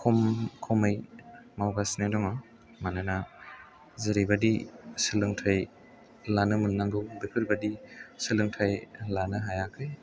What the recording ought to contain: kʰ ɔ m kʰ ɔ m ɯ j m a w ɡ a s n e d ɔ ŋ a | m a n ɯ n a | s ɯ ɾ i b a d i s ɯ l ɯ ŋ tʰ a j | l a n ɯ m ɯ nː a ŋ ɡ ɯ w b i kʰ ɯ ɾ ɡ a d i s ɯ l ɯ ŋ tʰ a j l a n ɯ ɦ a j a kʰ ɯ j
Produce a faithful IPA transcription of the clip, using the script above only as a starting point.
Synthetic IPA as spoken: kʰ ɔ m kʰ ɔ m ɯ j m a w ɡ a s n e d ɔ ŋ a | m a n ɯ n a | z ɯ ɾ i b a d i s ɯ l ɯ ŋ tʰ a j | l a n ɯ m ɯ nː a ŋ ɡ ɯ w b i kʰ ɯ ɾ b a d i s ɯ l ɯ ŋ tʰ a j l a n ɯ ɦ a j a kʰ ɯ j